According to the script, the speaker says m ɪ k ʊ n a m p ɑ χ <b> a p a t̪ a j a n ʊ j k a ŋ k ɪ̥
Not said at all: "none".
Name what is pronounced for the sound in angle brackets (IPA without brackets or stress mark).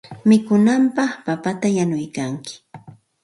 p